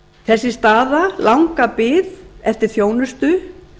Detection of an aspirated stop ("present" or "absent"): absent